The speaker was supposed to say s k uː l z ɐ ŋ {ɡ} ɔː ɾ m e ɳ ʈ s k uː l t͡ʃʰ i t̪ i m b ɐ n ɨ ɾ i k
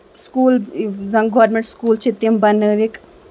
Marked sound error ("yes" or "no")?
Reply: no